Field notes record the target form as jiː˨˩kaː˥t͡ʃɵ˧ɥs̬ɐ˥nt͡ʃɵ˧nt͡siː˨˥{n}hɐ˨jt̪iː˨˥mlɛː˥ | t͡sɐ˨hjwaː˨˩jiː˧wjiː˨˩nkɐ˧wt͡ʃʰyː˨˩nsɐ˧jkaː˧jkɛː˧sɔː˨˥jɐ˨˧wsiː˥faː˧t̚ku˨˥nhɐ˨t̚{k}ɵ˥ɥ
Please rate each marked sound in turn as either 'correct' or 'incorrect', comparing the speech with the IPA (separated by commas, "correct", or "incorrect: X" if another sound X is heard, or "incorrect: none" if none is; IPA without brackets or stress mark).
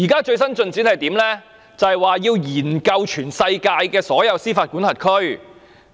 correct, incorrect: kʰ